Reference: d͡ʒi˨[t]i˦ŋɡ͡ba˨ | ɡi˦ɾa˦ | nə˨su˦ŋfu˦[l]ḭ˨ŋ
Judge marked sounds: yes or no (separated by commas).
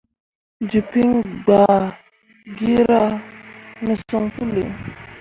no, yes